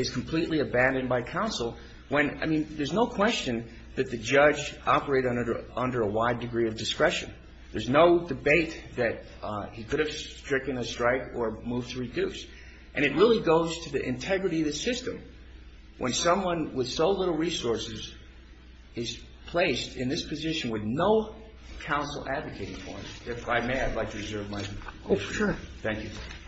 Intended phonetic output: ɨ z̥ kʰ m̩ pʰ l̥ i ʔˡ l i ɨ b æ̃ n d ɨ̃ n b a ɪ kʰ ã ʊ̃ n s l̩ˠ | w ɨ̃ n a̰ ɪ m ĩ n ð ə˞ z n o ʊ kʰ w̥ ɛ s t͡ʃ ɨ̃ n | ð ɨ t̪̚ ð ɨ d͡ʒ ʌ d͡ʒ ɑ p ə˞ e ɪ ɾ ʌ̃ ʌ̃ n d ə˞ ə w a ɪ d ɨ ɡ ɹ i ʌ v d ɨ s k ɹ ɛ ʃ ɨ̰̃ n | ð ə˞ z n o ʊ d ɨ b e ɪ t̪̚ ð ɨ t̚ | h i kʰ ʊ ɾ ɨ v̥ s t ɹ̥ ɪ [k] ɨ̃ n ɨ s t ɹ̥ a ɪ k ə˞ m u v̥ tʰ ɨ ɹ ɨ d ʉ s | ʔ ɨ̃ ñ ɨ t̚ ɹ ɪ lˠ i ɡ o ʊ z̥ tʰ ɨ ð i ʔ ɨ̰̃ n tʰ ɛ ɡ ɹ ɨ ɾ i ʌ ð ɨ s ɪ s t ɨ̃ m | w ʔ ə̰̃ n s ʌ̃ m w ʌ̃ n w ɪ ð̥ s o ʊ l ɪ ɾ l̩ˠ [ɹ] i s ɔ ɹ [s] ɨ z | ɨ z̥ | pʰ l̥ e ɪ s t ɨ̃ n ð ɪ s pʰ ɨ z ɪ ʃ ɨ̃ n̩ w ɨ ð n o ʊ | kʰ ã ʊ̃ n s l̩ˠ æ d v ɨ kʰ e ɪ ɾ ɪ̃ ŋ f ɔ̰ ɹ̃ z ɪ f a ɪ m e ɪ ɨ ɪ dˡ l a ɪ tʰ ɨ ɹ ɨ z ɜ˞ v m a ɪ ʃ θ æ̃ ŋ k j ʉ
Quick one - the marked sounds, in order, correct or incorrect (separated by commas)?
correct, correct, correct